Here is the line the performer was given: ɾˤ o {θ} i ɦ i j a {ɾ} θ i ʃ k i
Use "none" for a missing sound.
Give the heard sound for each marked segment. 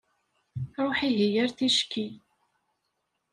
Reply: ħ, ɾ

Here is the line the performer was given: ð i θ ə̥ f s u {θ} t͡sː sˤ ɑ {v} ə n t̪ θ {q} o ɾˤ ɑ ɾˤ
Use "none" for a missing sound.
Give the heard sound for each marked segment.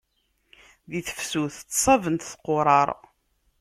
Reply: θ, v, q

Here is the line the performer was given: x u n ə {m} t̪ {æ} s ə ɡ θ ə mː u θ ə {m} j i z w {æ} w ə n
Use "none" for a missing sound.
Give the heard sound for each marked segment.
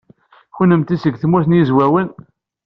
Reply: m, i, n, æ

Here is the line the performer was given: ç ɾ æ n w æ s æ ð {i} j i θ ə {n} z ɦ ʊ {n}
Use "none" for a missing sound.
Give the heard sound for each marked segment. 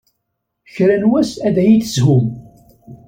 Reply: æ, none, m

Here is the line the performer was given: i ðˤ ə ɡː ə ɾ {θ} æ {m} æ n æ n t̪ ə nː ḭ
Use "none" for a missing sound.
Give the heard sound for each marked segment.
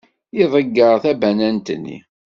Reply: θ, b

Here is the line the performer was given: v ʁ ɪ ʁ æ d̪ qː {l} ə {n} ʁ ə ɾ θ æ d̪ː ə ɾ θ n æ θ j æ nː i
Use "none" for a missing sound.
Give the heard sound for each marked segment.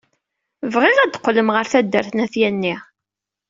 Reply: l, m

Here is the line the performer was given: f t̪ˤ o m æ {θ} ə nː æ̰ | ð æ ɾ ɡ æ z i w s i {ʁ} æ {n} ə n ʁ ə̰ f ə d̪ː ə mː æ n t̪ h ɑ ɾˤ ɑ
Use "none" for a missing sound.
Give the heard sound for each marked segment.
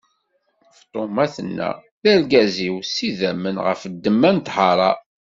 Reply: θ, ð, m

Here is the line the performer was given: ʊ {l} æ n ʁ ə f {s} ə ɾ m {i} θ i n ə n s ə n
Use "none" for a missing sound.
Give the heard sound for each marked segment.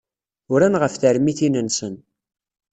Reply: ɾ, θ, i

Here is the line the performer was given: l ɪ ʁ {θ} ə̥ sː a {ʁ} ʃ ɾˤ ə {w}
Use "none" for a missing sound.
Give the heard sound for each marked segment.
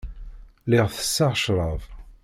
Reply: θ, ʁ, v

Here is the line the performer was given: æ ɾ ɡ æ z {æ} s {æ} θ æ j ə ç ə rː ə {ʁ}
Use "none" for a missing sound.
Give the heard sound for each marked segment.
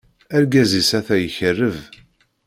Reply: i, æ, v

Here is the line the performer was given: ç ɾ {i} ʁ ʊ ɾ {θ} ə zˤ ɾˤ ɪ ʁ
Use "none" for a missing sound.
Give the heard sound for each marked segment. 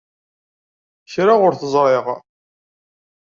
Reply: a, θ

